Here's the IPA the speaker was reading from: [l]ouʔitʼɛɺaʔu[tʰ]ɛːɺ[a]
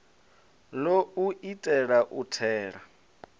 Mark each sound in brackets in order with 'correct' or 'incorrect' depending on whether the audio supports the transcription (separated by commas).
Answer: correct, correct, correct